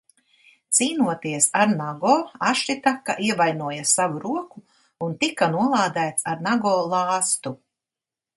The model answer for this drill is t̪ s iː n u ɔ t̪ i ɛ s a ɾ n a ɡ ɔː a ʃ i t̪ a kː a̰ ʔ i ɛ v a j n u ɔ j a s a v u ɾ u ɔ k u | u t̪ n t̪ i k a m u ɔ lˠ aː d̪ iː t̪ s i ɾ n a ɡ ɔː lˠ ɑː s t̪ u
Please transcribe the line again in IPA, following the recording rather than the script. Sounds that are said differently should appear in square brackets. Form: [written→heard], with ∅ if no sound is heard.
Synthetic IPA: t̪ s iː n u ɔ t̪ i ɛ s a ɾ n a ɡ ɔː a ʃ i t̪ a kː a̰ ʔ i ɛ v a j n u ɔ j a s a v u ɾ u ɔ k u | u [t̪→∅] n t̪ i k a [m→n] u ɔ lˠ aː d̪ [iː→æː] t̪ s [i→a] ɾ n a ɡ ɔː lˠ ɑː s t̪ u